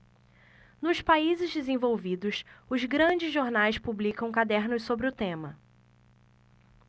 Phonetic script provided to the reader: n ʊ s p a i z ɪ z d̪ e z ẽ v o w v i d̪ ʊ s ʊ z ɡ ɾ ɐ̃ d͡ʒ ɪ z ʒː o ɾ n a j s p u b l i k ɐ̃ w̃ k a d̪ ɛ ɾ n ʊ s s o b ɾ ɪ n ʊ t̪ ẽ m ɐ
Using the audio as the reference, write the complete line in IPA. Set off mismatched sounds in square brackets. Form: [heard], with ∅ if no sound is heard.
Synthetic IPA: n ʊ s p a i z ɪ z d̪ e z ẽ v o w v i d̪ ʊ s ʊ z ɡ ɾ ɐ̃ d͡ʒ ɪ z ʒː o ɾ n a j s p u b l i k ɐ̃ w̃ k a d̪ ɛ ɾ n ʊ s s o b ɾ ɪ [∅] ʊ t̪ ẽ m ɐ